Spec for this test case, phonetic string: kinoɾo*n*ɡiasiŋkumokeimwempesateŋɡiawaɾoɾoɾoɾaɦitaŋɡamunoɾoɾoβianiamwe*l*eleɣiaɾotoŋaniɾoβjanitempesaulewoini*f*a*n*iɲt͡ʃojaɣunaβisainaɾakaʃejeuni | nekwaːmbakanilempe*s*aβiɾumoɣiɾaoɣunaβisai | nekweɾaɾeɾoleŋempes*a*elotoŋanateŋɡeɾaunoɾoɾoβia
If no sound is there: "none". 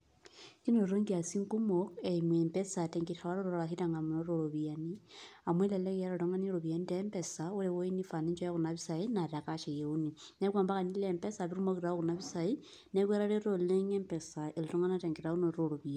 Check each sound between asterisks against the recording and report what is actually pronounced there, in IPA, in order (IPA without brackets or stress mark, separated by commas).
ŋ, l, f, n, s, a